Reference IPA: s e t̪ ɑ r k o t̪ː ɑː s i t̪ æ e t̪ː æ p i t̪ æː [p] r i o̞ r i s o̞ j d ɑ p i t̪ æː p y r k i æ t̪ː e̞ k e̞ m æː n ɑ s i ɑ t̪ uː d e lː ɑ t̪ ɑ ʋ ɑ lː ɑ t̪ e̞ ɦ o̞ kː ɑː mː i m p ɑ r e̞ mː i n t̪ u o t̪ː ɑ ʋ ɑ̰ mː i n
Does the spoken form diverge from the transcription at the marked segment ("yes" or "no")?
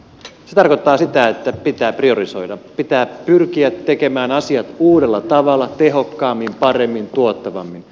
no